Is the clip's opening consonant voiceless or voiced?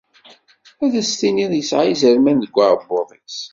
voiced